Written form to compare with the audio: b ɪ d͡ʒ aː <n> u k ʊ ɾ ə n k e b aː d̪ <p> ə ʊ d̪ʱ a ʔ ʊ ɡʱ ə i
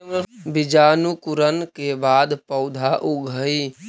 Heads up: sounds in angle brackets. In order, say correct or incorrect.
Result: correct, correct

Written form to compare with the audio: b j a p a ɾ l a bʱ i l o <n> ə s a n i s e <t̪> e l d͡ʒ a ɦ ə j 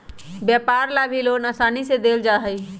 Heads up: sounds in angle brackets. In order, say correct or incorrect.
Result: correct, incorrect: d̪

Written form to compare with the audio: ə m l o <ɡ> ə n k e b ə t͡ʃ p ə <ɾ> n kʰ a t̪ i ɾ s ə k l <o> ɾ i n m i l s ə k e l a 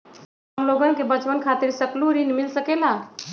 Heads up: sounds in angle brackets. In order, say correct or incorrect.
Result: correct, incorrect: none, incorrect: u

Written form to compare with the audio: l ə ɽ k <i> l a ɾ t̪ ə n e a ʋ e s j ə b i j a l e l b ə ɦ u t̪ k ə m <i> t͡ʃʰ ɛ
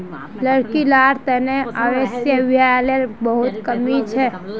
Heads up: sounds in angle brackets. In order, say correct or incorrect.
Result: correct, correct

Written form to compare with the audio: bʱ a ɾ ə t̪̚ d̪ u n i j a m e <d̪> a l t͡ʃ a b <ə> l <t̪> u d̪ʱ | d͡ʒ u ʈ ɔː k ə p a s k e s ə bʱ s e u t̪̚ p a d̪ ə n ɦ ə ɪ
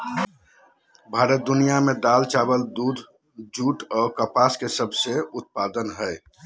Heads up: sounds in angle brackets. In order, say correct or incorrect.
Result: correct, correct, incorrect: d̪

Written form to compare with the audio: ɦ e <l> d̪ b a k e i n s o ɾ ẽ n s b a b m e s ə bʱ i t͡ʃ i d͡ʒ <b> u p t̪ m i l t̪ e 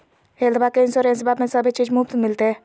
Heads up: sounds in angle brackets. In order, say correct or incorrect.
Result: correct, incorrect: m

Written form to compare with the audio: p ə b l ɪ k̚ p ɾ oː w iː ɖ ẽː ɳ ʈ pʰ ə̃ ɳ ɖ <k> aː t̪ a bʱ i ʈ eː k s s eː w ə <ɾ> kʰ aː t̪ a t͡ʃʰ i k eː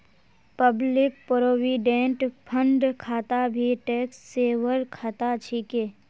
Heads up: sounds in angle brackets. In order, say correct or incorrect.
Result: incorrect: kʰ, correct

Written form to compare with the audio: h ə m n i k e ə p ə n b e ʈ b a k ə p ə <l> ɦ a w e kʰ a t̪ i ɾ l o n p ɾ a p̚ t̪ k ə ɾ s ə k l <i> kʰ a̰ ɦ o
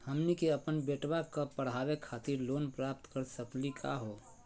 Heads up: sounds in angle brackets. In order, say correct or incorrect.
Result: incorrect: ɽ, correct

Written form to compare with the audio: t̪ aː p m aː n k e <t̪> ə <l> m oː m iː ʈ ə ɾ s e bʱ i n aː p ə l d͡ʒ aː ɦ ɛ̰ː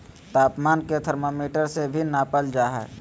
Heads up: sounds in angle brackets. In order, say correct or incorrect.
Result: incorrect: t̪ʰ, incorrect: ɾ

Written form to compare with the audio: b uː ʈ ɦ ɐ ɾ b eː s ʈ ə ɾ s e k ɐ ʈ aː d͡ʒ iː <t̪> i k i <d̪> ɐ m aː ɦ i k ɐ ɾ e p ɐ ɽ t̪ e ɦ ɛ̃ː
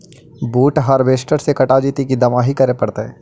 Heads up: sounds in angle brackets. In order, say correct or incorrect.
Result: correct, correct

